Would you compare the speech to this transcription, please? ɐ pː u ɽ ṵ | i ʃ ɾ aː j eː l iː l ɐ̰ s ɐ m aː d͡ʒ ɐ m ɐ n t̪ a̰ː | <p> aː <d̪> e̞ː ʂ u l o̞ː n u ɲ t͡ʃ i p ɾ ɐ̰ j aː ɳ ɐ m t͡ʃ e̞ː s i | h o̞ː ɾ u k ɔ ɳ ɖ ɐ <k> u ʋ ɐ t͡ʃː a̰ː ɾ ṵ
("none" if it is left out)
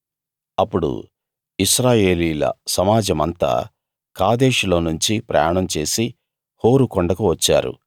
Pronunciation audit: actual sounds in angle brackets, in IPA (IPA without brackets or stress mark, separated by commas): k, d̪, k